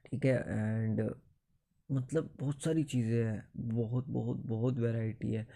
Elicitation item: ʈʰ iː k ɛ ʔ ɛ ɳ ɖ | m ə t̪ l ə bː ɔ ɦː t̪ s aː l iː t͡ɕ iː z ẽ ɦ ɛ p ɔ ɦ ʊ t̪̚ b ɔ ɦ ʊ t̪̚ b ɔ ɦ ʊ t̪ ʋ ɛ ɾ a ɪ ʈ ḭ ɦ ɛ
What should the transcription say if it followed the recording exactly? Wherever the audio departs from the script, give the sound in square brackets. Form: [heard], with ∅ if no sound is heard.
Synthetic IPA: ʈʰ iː k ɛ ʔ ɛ ɳ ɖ | m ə t̪ l ə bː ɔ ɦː t̪ s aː [ɾ] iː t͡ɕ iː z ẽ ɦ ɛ [b] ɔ ɦ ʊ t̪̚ b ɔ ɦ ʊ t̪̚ b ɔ ɦ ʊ t̪ ʋ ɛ ɾ a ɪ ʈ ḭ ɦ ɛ